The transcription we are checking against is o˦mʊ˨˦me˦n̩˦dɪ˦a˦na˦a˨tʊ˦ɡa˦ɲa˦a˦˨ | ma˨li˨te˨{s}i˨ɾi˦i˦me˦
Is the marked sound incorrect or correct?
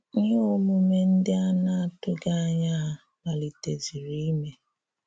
incorrect